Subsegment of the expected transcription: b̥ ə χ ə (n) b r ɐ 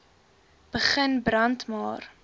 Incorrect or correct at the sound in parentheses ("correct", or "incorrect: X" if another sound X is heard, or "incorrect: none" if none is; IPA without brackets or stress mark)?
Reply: correct